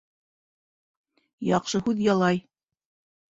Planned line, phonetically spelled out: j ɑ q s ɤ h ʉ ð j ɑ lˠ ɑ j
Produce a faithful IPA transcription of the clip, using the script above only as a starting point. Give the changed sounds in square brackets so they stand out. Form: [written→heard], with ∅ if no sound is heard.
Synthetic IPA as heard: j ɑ q [s→ʃ] ɤ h ʉ ð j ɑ lˠ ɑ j